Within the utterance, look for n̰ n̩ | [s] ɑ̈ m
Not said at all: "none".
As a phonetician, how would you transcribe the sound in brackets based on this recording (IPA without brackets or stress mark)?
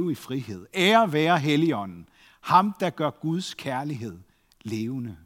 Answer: h